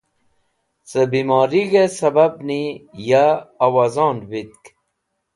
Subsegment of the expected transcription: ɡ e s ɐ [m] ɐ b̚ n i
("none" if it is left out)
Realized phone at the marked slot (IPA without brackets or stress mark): b